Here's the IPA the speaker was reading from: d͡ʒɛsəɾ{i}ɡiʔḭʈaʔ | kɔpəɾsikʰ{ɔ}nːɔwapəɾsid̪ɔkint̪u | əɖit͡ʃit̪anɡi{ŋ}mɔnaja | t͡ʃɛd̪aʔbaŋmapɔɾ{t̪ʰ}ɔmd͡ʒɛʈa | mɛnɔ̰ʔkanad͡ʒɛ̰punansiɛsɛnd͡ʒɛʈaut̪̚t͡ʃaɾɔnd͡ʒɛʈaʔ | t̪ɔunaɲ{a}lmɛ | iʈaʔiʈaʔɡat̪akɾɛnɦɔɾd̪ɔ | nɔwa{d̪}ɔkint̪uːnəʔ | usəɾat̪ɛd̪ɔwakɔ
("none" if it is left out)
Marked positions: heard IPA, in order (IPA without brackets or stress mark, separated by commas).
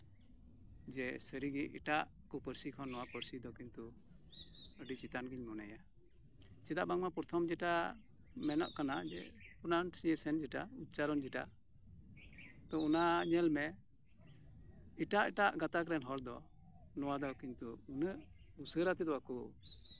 i, ɔ, ɲ, t̪ʰ, ɛ, d̪